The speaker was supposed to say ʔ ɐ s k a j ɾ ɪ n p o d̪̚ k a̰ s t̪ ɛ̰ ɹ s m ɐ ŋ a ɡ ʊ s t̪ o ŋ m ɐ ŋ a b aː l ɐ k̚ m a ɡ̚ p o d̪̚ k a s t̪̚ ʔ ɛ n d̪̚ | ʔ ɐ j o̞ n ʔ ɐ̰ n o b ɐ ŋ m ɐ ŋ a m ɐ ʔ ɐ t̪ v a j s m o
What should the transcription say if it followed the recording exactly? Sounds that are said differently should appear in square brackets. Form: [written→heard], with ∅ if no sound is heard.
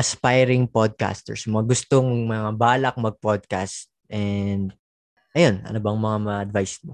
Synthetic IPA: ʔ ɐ s [k→p] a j ɾ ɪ [n→ŋ] p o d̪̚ k a̰ s t̪ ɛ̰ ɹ s m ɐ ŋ a ɡ ʊ s t̪ o ŋ m ɐ ŋ a b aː l ɐ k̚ m [a→ɐ] ɡ̚ p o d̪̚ k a s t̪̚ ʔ ɛ n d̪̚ | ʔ ɐ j o̞ n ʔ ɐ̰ n o b ɐ ŋ m ɐ ŋ a m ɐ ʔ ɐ [t̪→d̪] v a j s m o